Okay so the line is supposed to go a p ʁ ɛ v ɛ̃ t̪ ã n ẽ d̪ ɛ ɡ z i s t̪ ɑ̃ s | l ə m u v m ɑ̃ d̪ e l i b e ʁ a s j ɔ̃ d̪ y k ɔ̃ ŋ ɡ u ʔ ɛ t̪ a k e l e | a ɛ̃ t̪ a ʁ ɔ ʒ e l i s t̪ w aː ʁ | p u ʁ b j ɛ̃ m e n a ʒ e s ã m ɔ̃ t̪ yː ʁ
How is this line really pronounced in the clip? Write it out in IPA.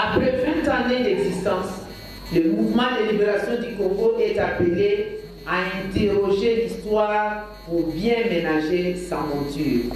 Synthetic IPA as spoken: a p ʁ ɛ v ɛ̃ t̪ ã n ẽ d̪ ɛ ɡ z i s t̪ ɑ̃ s | l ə m u v m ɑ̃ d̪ e l i b e ʁ a s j ɔ̃ d̪ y k ɔ̃ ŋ ɡ o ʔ ɛ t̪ a p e l e | a ɛ̃ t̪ e ʁ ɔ ʒ e l i s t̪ w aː ʁ | p u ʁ b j ɛ̃ m e n a ʒ e s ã m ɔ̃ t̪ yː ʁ